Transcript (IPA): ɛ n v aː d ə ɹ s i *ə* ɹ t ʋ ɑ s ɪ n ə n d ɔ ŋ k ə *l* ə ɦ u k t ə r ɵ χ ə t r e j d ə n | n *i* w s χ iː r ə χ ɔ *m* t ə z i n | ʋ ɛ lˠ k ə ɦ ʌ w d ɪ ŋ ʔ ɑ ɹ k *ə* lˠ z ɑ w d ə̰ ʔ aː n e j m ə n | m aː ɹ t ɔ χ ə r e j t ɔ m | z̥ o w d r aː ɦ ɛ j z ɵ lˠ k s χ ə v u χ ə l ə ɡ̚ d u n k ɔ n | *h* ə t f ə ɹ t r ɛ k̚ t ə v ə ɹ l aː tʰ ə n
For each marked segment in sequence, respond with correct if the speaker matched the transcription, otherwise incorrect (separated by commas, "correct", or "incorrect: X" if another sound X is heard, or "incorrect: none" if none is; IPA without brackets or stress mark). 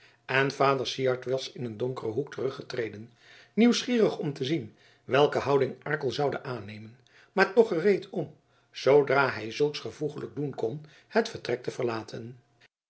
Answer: incorrect: ɑ, incorrect: r, correct, correct, correct, correct